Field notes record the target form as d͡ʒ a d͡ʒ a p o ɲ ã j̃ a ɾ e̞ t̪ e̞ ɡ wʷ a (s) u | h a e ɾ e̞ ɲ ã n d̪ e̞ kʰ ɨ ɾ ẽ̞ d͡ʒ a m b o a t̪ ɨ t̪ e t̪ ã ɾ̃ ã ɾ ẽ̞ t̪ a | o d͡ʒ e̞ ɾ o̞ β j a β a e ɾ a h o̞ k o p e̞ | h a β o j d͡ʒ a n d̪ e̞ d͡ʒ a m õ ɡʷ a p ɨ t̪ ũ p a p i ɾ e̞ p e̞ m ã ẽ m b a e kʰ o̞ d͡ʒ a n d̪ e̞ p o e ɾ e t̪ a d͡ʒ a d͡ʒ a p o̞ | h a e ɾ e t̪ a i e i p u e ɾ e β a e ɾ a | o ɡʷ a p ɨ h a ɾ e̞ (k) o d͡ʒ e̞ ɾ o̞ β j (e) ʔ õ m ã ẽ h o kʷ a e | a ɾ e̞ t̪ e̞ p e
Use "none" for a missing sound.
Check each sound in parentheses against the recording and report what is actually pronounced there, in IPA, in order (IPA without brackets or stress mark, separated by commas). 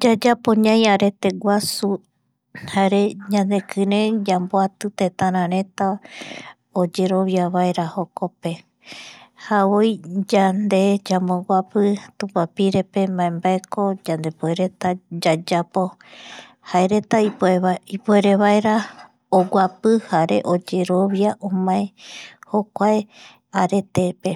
s, ʔ, a